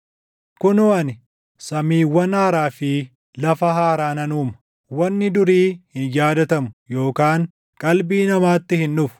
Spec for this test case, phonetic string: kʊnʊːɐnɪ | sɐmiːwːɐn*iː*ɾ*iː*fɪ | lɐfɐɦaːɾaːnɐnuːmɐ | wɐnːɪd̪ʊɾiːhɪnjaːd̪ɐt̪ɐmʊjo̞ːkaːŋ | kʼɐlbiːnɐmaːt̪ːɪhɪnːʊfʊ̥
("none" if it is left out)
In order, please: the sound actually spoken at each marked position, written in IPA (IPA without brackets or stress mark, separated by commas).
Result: aː, aː